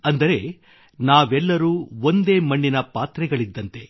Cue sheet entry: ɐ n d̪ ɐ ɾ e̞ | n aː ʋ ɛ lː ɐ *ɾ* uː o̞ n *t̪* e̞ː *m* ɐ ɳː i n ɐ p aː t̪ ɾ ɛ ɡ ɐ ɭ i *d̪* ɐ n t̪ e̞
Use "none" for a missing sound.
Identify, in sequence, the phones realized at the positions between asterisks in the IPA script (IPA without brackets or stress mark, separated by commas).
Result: ɾ, d̪, m, d̪ː